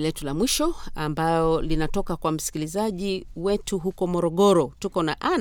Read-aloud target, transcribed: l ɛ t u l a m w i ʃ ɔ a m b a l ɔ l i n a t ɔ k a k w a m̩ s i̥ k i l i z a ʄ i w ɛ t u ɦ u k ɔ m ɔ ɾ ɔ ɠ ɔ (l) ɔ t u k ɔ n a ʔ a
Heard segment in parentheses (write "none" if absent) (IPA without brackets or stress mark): ɾ